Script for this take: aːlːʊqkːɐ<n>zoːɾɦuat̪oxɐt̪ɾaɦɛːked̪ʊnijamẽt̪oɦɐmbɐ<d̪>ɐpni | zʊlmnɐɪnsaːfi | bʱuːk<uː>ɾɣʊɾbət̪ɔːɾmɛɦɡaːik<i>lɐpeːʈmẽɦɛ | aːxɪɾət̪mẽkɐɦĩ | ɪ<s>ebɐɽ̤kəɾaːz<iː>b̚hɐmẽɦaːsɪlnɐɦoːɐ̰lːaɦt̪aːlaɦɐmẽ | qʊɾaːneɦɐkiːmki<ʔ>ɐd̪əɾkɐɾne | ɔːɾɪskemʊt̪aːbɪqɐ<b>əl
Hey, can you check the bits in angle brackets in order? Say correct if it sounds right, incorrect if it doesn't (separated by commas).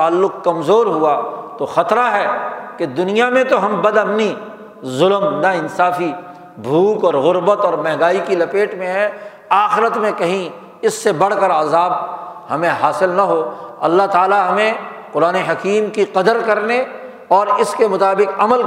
incorrect, correct, incorrect, correct, incorrect, incorrect, incorrect, incorrect